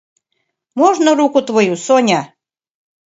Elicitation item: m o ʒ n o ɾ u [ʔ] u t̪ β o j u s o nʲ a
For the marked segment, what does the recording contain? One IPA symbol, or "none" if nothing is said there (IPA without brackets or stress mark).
k